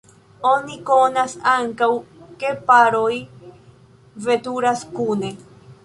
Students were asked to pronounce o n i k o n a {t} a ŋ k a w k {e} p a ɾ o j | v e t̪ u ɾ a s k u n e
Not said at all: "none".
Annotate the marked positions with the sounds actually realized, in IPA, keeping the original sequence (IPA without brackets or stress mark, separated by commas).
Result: s, e